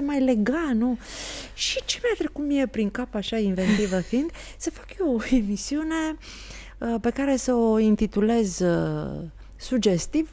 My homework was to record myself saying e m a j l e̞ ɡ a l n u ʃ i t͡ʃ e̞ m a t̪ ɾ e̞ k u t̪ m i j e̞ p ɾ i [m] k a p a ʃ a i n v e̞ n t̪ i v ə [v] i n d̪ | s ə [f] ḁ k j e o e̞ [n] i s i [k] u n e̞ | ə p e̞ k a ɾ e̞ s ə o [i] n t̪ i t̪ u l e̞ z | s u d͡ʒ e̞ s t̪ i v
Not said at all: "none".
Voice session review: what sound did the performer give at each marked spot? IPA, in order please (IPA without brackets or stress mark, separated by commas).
ŋ, f, f, m, none, i